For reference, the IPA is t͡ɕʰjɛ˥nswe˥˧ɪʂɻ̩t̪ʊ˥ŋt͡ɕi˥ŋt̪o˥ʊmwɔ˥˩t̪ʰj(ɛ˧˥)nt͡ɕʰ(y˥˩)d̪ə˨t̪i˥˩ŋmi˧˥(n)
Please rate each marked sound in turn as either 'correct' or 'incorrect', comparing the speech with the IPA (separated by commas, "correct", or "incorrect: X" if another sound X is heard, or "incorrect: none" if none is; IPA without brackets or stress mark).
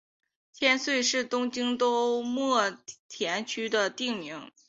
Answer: correct, incorrect: y˥, incorrect: ŋ